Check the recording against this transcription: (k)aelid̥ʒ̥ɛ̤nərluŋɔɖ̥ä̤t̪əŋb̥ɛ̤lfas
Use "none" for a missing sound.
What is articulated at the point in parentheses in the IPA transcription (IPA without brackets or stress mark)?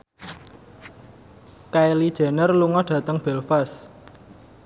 k